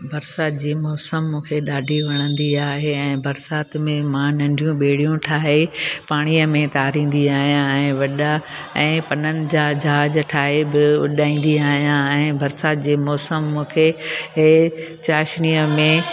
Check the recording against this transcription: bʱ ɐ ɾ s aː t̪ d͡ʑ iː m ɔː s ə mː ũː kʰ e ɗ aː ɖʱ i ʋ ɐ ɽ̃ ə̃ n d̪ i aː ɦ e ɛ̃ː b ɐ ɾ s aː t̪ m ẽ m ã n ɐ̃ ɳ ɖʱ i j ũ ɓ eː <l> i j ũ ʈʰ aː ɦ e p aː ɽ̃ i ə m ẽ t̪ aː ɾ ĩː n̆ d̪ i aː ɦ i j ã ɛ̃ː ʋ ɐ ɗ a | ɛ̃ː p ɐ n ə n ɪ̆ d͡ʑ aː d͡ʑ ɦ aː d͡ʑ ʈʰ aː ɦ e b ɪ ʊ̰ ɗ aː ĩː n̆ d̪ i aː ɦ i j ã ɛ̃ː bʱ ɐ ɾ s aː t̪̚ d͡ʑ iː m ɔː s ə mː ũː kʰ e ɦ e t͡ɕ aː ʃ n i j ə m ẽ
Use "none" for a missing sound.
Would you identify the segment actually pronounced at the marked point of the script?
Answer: ɽ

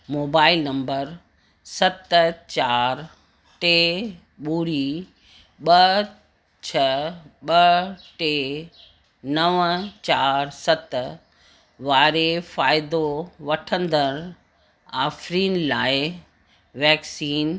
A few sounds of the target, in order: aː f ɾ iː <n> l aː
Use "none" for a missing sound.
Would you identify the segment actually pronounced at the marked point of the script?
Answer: n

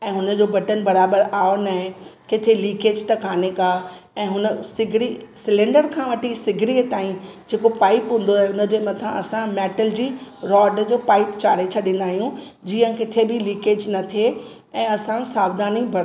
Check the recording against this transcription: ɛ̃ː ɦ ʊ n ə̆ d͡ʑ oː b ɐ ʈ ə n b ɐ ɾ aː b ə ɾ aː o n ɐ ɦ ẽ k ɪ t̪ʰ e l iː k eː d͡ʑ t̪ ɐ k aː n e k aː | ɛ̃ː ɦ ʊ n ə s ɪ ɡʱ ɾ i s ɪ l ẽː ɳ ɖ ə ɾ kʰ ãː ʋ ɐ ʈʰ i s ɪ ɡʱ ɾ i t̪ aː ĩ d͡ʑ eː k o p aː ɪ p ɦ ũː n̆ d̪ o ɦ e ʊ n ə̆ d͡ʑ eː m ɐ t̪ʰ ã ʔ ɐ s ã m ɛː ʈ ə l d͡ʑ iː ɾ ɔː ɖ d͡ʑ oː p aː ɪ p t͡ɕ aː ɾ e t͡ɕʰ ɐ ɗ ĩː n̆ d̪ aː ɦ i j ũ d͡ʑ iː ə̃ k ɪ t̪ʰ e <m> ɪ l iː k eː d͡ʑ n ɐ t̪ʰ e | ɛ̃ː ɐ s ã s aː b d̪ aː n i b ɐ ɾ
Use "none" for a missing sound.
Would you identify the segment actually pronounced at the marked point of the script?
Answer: b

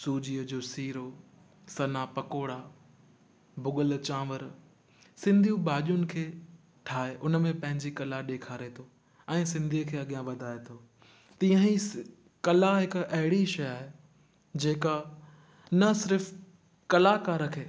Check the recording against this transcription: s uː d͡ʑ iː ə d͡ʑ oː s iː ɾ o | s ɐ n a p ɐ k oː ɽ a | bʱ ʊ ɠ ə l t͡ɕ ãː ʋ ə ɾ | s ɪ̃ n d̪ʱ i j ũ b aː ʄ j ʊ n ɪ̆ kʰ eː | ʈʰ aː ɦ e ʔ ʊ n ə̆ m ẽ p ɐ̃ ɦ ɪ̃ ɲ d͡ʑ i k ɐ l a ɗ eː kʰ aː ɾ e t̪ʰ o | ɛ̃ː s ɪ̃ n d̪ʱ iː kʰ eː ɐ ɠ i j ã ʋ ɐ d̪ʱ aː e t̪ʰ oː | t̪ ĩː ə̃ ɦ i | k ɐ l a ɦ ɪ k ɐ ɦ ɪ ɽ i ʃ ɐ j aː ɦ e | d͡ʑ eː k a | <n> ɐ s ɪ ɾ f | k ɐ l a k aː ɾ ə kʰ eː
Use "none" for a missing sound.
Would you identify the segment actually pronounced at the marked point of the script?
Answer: n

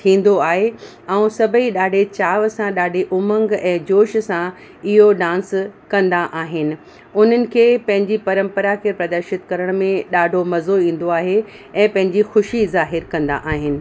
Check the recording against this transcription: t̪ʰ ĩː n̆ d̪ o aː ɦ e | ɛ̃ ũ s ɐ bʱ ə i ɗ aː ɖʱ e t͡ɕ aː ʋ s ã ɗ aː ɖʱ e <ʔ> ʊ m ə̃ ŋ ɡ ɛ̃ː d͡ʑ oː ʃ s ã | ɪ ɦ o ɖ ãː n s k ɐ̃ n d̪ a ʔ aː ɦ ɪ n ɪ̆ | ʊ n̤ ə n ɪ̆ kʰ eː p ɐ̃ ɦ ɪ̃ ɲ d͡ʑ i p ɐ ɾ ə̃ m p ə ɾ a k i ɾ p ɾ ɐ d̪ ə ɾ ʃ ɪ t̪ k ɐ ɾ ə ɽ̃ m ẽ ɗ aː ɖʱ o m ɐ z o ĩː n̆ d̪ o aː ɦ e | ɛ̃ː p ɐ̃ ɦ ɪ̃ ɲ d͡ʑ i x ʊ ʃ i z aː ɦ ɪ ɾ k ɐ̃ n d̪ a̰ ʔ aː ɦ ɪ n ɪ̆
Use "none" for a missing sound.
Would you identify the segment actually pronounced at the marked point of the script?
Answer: ʔ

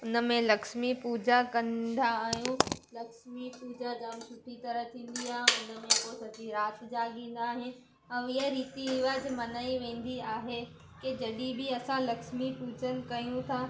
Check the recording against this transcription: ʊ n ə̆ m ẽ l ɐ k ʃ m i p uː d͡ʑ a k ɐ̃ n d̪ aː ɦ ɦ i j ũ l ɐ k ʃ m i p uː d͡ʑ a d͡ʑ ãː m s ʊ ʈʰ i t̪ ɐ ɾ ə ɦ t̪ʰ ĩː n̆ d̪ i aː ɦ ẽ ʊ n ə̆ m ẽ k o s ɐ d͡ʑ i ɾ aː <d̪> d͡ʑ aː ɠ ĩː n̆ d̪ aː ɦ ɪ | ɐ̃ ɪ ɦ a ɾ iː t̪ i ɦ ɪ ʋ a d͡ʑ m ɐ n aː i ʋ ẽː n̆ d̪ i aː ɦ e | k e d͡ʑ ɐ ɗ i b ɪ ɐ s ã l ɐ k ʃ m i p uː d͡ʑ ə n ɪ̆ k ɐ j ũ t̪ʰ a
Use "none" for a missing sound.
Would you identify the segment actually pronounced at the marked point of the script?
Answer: t̪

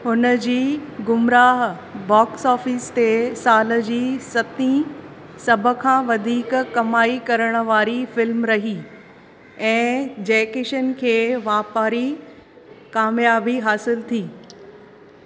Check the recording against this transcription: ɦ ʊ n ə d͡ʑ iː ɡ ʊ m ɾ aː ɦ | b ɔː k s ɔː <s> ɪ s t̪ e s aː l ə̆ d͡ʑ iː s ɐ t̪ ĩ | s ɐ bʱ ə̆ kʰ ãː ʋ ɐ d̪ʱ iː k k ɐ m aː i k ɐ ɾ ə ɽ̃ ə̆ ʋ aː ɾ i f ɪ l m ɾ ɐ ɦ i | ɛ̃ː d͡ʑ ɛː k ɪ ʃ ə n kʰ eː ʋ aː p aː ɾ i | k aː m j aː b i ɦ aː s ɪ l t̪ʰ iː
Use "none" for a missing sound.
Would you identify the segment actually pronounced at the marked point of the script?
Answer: f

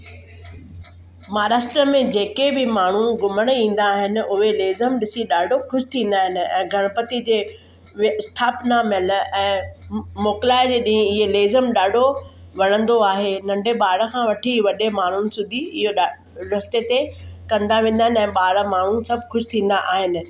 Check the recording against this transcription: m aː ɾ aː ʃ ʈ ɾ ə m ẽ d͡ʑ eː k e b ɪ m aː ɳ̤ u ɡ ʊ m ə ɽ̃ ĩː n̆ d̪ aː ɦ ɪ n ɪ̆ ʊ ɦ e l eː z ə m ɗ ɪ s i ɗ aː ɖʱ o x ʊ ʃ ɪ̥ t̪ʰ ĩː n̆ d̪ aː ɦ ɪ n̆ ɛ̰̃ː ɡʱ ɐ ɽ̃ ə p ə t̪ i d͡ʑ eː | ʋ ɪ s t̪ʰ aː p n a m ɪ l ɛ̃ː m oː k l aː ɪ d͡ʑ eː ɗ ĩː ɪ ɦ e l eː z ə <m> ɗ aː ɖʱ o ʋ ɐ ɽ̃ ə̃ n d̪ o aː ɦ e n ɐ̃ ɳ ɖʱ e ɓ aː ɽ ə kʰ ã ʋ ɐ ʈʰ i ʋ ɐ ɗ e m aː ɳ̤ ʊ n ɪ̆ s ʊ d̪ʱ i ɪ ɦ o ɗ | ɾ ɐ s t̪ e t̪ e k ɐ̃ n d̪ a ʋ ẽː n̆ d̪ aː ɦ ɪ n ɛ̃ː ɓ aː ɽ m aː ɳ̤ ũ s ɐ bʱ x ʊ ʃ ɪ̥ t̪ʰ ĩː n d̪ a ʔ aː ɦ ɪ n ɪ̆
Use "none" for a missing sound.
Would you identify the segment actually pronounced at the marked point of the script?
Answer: m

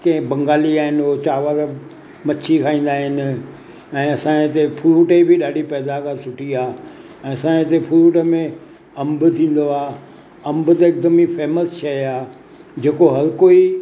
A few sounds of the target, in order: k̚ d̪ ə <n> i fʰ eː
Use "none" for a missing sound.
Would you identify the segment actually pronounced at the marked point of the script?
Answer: m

